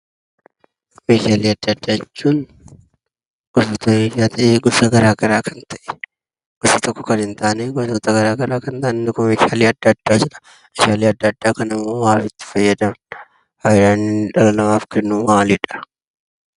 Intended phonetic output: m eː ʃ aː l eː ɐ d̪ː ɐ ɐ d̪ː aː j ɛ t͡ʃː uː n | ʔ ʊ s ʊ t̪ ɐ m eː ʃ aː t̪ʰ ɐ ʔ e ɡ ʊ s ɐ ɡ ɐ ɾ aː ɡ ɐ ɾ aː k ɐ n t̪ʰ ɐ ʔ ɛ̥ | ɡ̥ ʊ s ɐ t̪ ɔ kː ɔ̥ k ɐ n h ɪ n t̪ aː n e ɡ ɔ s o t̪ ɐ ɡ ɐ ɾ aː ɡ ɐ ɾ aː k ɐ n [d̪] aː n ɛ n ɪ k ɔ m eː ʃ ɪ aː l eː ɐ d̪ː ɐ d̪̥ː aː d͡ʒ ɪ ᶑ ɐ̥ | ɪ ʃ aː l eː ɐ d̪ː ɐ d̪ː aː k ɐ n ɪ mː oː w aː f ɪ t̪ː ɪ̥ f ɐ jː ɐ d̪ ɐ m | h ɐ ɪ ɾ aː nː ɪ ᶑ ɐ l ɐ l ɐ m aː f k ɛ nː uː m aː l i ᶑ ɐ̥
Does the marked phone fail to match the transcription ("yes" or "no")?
yes